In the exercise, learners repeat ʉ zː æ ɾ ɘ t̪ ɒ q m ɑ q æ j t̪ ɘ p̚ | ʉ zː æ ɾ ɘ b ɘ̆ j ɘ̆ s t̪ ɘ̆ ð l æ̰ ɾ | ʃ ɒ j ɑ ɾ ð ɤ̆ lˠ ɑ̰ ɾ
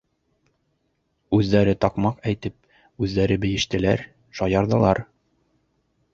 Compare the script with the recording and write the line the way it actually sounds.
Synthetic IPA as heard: ʉ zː æ ɾ ɘ t̪ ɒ q m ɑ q æ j t̪ ɘ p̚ | ʉ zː æ ɾ ɘ b ɘ̆ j ɘ̆ ʃ t̪ ɘ̆ l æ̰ ɾ | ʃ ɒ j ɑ ɾ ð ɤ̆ lˠ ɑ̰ ɾ